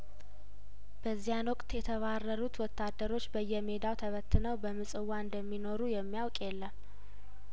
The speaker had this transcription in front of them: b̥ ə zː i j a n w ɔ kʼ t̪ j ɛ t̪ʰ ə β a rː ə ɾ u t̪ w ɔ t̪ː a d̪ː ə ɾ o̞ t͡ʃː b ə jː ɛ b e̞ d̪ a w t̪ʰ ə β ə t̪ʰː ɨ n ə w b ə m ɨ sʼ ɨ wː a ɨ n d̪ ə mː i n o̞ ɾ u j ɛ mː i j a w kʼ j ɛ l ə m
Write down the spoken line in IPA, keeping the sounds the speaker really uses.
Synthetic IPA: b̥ ə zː i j a n w ɔ kʼ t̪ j ɛ t̪ʰ ə β a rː ə ɾ u t̪ w ɔ t̪ː a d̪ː ə ɾ o̞ t͡ʃː b ə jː ɛ m e̞ d̪ a w t̪ʰ ə β ə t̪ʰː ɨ n ə w b ə m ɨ sʼ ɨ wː a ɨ n d̪ ə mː i n o̞ ɾ u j ɛ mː i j a w kʼ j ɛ lː ə m